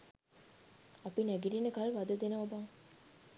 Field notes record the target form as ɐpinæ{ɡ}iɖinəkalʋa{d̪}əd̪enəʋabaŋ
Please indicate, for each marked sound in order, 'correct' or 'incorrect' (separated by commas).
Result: correct, correct